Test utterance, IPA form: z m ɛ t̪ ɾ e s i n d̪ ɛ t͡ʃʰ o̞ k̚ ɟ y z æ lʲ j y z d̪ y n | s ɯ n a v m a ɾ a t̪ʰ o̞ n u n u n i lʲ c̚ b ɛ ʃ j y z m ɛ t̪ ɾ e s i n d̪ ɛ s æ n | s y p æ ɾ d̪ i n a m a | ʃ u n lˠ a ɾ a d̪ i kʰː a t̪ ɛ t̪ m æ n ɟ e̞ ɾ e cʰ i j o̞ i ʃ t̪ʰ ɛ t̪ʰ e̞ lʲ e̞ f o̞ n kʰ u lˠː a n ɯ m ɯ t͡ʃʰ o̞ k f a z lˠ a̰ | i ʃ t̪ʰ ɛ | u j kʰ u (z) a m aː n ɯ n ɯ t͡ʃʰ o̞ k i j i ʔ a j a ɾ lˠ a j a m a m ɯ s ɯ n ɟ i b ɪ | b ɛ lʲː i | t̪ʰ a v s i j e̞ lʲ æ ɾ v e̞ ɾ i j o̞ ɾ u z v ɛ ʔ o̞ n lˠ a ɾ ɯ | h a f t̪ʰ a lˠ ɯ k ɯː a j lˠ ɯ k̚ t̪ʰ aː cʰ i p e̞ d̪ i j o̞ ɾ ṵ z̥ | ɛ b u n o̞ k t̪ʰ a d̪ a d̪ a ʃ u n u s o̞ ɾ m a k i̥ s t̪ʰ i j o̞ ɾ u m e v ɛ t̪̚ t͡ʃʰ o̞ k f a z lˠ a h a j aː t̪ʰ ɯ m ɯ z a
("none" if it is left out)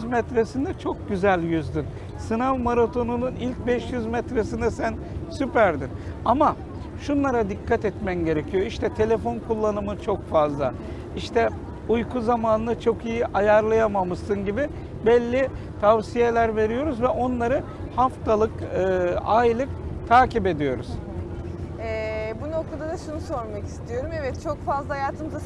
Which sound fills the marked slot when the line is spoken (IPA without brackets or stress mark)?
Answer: z